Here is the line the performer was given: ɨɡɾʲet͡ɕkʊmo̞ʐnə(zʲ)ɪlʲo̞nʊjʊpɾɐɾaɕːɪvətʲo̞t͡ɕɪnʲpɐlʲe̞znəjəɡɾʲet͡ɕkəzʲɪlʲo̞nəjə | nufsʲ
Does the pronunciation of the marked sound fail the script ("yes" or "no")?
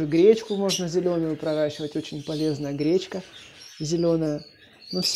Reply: no